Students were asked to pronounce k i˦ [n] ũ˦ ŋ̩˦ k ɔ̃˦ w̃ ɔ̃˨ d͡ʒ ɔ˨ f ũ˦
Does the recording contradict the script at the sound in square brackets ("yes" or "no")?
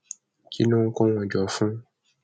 no